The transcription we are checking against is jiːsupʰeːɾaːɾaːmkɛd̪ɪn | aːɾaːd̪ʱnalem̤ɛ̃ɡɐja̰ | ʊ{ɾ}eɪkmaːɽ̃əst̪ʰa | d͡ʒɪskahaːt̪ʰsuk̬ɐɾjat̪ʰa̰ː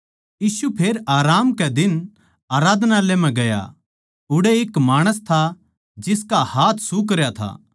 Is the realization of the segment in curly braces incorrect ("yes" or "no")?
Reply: yes